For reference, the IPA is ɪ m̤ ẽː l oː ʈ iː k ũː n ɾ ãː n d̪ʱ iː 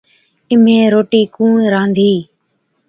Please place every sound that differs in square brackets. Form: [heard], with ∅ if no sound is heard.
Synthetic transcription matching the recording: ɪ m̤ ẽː [ɾ] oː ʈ iː k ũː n ɾ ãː n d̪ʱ iː